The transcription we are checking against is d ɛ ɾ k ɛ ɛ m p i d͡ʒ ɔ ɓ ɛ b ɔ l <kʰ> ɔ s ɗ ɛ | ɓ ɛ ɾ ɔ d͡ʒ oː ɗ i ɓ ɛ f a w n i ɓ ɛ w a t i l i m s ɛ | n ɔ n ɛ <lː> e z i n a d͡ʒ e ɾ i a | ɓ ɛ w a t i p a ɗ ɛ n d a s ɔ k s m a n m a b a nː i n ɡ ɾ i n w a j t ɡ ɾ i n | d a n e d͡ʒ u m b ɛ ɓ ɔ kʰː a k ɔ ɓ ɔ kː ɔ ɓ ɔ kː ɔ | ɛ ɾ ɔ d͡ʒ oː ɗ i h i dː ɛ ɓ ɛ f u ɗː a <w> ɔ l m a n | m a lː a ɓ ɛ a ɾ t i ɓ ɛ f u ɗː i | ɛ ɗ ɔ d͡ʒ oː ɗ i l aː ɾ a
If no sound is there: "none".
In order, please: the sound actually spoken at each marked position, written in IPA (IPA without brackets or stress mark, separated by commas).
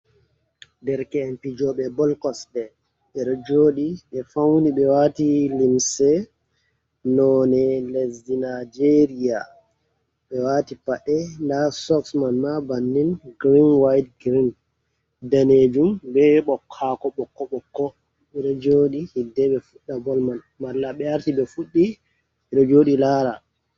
k, l, b